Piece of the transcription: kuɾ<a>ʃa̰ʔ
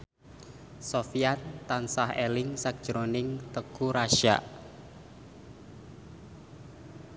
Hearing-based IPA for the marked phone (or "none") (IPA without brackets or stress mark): a